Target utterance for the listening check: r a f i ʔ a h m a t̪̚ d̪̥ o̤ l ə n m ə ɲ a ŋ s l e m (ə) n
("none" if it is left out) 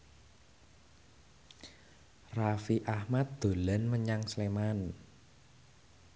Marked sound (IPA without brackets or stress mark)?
a